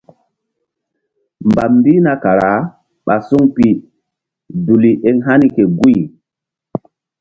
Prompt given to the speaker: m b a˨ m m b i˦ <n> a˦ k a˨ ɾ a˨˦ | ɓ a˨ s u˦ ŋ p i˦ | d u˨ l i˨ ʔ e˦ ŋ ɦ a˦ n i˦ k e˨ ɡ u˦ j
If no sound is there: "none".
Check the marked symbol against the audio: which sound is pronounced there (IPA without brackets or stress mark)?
n